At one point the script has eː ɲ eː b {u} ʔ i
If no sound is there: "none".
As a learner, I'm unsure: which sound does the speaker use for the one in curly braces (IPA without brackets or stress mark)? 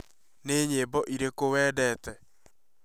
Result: ɔ